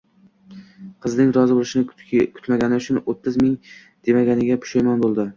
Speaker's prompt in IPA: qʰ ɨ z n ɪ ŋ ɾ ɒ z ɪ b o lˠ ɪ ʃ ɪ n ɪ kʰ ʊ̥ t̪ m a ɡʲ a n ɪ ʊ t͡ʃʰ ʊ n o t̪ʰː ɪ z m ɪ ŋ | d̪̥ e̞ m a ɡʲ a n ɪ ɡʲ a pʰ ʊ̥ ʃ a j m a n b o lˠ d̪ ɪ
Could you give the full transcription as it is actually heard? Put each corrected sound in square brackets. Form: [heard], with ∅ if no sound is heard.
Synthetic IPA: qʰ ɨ z n ɪ ŋ ɾ ɒ z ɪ b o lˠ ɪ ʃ ɪ n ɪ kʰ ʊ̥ t̪ m a ɡʲ a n ɪ ʊ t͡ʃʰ ʊ n o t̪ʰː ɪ z m ɪ ŋ | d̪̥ e̞ m a ɡʲ a n ɪ ɡʲ a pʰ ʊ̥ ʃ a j m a n b o lˠ d̪ ɪ